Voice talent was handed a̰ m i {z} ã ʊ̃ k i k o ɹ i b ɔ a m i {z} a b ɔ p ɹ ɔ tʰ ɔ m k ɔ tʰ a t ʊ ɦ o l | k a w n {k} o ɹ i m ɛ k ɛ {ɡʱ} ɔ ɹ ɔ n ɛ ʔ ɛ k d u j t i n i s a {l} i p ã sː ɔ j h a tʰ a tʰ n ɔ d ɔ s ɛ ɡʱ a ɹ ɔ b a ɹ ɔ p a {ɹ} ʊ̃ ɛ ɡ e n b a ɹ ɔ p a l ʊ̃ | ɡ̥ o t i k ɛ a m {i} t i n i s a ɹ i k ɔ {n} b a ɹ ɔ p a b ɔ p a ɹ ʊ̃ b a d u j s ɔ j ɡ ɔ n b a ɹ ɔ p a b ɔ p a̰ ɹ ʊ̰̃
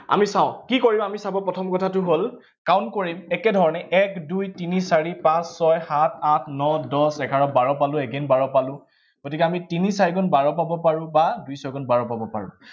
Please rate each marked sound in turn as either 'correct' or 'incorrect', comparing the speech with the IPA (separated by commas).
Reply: incorrect, incorrect, correct, incorrect, incorrect, incorrect, correct, correct